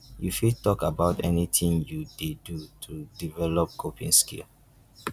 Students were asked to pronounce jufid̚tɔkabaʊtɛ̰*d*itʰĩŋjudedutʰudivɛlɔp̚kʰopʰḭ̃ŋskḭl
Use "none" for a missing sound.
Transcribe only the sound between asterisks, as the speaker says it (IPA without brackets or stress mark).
n